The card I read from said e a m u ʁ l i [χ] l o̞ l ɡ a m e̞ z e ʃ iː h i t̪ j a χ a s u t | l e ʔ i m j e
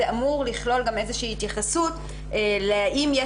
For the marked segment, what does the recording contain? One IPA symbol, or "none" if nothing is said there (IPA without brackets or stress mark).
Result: χ